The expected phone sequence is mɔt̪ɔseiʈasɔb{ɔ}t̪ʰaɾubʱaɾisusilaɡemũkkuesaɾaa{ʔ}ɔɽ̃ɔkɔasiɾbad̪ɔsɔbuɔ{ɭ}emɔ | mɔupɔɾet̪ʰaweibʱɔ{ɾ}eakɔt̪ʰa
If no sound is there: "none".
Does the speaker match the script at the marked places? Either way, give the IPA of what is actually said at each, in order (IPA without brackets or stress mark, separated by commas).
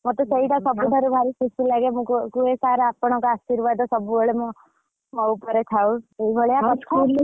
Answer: u, p, ɭ, ɭ